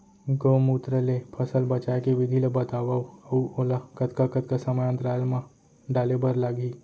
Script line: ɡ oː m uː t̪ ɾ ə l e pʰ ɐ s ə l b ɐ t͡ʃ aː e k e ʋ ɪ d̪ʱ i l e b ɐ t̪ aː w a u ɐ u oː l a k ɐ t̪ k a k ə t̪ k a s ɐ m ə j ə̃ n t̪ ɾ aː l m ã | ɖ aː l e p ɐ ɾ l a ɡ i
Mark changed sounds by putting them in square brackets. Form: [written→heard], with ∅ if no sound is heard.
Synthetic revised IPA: ɡ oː m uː t̪ ɾ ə l e pʰ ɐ s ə l b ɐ t͡ʃ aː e k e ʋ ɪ d̪ʱ i l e b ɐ t̪ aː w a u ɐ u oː l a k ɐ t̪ k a k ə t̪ k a s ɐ m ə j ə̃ n t̪ ɾ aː l m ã | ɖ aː l e [p→b] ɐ ɾ l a ɡ i